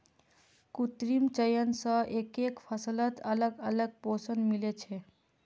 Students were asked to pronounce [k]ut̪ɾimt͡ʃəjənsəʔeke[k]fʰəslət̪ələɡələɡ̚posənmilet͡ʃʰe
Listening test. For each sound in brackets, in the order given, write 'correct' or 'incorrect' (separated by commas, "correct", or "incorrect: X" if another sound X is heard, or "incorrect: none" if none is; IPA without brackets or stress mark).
correct, correct